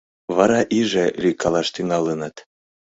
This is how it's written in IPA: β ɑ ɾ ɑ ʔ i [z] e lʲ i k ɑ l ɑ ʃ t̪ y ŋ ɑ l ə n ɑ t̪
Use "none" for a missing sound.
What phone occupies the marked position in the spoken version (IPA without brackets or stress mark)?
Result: ʒ